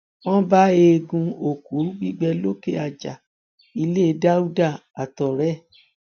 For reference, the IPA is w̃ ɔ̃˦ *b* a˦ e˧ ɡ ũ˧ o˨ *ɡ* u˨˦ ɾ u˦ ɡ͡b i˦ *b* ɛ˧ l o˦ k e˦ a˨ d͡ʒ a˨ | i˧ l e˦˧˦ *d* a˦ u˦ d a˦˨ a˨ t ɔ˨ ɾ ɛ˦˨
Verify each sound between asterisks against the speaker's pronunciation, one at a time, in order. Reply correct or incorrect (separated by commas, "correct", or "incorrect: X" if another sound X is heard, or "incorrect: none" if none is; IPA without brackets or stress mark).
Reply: correct, incorrect: k, incorrect: ɡ͡b, correct